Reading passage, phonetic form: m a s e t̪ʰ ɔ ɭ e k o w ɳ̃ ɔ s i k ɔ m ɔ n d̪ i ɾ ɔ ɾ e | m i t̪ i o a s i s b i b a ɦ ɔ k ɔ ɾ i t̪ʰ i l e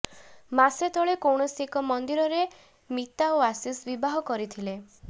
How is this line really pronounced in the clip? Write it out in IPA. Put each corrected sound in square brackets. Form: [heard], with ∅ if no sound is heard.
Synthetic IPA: m a s e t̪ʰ ɔ ɭ e k o w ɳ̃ ɔ s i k ɔ m ɔ n d̪ i ɾ ɔ ɾ e | m i t̪ [a] o a s i s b i b a ɦ ɔ k ɔ ɾ i t̪ʰ i l e

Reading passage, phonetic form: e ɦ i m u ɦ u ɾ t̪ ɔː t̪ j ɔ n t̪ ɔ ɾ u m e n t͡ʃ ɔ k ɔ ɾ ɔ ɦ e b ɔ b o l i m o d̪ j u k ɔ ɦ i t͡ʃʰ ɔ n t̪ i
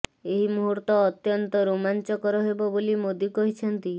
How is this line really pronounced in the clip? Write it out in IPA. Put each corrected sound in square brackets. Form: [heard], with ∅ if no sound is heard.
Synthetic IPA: e ɦ i m u ɦ u ɾ t̪ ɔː t̪ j ɔ n t̪ ɔ ɾ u m [a] n t͡ʃ ɔ k ɔ ɾ ɔ ɦ e b ɔ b o l i m o d̪ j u k ɔ ɦ i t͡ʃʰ ɔ n t̪ i

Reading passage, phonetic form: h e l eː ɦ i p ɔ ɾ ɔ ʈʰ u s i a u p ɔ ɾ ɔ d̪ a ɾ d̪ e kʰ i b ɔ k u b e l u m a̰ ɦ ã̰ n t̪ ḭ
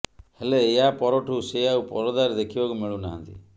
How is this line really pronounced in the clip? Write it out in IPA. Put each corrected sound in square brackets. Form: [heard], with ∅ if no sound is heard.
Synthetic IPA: h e l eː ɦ [a] p ɔ ɾ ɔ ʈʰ u s [e] a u p ɔ ɾ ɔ d̪ a ɾ d̪ e kʰ i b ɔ k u [m] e [ɭ] u [n] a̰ ɦ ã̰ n t̪ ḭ

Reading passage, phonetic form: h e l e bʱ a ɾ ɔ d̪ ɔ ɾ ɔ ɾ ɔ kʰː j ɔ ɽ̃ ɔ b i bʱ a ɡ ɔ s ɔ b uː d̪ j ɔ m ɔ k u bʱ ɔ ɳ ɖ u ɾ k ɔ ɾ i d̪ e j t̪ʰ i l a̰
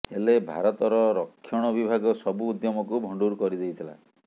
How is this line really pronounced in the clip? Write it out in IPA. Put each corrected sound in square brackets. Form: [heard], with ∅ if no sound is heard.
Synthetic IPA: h e l e bʱ a ɾ ɔ [t̪] ɔ ɾ ɔ ɾ ɔ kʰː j ɔ ɽ̃ ɔ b i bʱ a ɡ ɔ s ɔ b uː d̪ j ɔ m ɔ k u bʱ ɔ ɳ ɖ u ɾ k ɔ ɾ i d̪ e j t̪ʰ i l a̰

